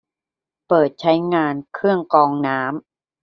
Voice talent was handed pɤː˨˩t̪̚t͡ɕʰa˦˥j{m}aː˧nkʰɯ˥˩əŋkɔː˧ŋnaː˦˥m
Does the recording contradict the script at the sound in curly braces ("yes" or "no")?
yes